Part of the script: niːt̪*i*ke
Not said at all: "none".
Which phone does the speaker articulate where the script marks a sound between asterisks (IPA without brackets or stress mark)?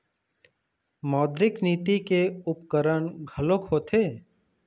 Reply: i